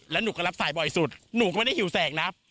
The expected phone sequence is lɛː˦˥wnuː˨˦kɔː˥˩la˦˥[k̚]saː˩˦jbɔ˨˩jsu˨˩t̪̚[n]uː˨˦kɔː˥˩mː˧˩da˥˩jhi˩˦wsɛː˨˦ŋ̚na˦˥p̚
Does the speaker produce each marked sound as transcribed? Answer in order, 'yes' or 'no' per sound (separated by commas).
no, yes